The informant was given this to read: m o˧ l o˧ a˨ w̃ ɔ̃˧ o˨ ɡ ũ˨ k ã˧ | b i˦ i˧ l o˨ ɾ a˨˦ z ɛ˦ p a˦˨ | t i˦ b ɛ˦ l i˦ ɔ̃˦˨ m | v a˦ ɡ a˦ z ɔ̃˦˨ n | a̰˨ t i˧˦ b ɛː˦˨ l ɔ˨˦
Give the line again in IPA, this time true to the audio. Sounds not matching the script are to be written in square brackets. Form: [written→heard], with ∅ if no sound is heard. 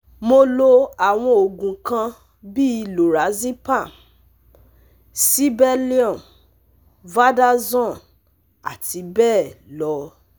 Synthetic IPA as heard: m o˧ l o˧ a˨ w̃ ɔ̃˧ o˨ ɡ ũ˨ k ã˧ | b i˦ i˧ l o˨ ɾ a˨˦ z [ɛ˦→i˦] p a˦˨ | [t→s] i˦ b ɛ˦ l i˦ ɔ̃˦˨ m | v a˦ [ɡ→d] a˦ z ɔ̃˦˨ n | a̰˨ t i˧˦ b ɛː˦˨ l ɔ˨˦